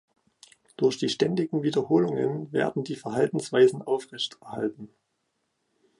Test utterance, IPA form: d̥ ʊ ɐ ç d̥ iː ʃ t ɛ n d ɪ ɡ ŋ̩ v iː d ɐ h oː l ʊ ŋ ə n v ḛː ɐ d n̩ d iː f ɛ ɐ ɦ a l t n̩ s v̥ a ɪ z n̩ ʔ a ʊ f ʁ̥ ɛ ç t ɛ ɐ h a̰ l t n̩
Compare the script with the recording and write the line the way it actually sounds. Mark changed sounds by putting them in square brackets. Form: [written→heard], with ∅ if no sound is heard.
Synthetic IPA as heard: d̥ ʊ ɐ ç d̥ iː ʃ t ɛ n d ɪ ɡ ŋ̩ v iː d ɐ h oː l ʊ ŋ ə n v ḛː ɐ d n̩ d iː f ɛ ɐ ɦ a l t n̩ s v̥ a ɪ z n̩ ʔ a ʊ f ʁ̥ ɛ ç t ɛ ɐ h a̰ l t n̩